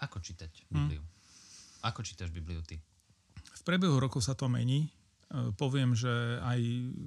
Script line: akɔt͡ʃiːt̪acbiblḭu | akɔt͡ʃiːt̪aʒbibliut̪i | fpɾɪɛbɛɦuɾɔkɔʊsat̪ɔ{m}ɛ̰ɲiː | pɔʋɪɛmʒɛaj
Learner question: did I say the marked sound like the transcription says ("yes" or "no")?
yes